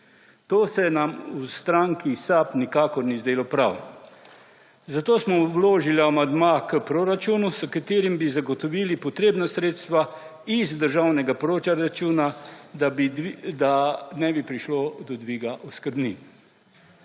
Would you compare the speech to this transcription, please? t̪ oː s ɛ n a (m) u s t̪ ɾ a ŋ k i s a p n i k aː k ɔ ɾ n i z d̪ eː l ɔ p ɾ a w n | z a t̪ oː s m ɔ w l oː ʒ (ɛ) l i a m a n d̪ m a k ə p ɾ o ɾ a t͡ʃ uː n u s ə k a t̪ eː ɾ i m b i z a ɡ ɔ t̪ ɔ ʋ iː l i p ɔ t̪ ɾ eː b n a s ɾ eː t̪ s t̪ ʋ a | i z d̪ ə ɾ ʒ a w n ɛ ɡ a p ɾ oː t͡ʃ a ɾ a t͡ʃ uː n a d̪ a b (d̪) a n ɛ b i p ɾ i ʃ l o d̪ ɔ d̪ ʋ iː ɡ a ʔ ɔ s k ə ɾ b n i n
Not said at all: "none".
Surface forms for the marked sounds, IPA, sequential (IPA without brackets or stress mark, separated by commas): m, i, d̪